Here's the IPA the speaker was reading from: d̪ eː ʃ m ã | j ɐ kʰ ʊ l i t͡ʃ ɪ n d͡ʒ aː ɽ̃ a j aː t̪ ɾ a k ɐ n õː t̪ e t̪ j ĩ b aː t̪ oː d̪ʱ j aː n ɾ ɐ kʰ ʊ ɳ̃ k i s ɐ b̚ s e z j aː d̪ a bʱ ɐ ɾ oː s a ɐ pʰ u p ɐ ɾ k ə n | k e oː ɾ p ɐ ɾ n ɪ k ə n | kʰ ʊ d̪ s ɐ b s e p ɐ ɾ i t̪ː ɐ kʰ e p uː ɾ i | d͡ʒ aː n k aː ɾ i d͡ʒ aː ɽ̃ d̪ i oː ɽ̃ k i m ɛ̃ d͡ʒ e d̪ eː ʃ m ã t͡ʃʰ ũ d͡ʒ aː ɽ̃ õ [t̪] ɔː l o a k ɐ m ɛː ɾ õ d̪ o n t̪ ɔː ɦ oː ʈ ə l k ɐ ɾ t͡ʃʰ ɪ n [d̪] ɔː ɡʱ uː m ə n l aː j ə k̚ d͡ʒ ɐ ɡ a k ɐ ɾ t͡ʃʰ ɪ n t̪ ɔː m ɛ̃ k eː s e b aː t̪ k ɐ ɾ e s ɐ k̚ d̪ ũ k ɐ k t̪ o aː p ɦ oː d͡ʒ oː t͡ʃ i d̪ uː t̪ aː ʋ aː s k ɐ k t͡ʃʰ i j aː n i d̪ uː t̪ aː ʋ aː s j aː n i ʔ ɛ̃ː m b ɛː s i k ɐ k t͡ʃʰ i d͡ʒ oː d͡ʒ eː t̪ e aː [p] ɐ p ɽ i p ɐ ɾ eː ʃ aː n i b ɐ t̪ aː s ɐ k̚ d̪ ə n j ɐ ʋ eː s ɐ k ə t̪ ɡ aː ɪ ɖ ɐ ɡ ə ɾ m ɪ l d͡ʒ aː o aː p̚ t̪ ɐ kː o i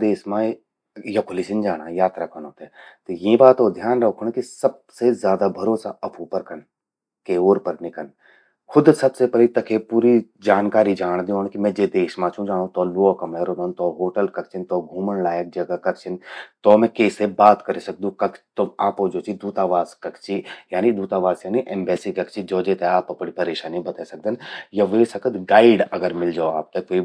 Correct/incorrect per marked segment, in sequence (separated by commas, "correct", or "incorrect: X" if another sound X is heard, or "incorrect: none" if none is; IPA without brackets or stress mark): correct, incorrect: t̪, correct